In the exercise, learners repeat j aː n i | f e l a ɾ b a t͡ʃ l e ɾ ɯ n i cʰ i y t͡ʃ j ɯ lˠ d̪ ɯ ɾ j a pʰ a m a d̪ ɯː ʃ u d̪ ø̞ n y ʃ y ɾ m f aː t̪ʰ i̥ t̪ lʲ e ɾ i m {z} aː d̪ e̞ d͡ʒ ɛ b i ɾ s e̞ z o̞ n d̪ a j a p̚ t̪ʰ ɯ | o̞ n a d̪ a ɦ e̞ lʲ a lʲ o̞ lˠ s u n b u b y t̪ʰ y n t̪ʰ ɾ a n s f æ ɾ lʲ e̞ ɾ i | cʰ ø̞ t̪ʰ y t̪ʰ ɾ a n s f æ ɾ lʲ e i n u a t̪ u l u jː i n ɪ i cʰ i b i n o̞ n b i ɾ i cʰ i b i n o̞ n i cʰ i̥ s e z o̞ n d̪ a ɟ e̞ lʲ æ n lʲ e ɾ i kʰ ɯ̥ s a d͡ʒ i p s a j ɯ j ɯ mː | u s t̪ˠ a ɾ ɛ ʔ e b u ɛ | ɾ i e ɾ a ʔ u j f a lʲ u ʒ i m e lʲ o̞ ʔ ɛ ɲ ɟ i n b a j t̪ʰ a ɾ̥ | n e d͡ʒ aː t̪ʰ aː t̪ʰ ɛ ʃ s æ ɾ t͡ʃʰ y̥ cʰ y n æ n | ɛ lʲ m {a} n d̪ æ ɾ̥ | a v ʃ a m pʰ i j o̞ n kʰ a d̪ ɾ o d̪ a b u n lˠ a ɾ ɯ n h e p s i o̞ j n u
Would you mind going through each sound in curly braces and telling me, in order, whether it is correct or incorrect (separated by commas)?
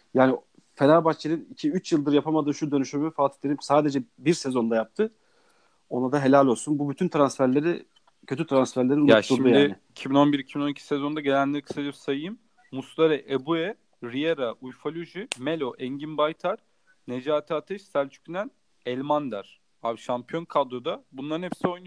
incorrect, correct